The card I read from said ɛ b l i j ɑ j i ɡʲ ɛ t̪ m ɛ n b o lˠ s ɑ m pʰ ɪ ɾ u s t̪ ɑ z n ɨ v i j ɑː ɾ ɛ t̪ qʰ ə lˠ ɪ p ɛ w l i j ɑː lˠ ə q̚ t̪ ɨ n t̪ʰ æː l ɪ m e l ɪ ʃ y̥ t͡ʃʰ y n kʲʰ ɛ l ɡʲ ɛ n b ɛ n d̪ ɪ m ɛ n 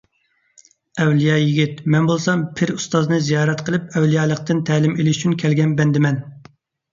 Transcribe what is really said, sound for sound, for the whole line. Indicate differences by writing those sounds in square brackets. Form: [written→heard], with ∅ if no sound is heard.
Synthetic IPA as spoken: ɛ [b→w] l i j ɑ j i ɡʲ [ɛ→i] t̪ m ɛ n b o lˠ s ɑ m pʰ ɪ ɾ u s t̪ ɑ z n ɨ [v→z] i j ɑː ɾ ɛ t̪ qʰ ə lˠ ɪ p ɛ w l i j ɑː lˠ ə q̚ t̪ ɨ n t̪ʰ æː l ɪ m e l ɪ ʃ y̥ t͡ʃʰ y n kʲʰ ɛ l ɡʲ ɛ n b ɛ n d̪ ɪ m ɛ n